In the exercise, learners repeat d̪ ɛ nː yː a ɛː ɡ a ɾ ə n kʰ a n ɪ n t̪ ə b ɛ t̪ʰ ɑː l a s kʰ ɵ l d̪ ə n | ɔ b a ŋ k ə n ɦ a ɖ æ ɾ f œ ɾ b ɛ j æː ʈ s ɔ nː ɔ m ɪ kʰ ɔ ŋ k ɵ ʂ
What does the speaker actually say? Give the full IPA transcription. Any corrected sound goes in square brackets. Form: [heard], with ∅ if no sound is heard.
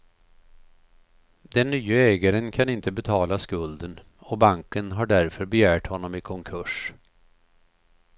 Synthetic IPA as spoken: d̪ ɛ nː yː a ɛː ɡ a ɾ ə n kʰ a n ɪ n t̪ ə b ɛ t̪ʰ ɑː l a s [k] ɵ l d̪ ə n | ɔ b a ŋ k ə n ɦ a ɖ æ ɾ f œ ɾ b ɛ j æː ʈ [h] ɔ nː ɔ m ɪ kʰ ɔ ŋ [kʰ] ɵ ʂ